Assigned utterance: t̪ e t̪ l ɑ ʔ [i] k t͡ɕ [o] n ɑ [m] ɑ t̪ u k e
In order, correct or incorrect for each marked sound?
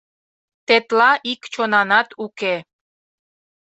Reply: correct, correct, incorrect: n

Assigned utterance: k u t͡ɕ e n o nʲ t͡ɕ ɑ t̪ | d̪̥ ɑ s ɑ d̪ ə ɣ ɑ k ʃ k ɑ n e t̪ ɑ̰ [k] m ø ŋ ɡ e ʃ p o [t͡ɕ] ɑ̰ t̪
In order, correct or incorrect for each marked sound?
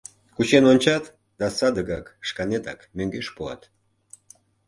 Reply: correct, incorrect: none

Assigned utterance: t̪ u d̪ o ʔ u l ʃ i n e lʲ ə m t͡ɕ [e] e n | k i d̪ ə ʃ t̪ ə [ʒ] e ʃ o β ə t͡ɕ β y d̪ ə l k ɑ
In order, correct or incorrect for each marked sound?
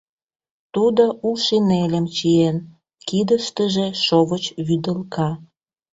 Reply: incorrect: i, correct

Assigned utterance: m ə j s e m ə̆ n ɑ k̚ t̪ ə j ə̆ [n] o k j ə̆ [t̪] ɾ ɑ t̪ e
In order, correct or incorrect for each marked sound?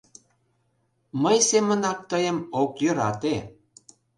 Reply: incorrect: m, incorrect: none

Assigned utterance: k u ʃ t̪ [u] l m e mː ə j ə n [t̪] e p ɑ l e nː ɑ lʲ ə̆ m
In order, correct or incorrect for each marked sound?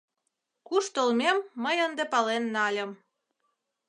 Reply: incorrect: o, incorrect: d̪

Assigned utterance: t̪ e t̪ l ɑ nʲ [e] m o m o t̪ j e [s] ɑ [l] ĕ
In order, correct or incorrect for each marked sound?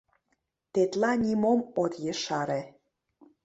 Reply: incorrect: i, incorrect: ʃ, incorrect: ɾ

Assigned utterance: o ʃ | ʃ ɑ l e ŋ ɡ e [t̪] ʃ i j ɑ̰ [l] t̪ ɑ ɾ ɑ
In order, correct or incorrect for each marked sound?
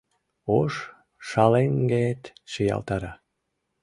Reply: correct, correct

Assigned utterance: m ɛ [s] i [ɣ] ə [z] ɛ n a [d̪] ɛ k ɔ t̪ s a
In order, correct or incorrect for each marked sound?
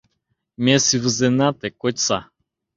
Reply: correct, incorrect: v, correct, incorrect: t̪

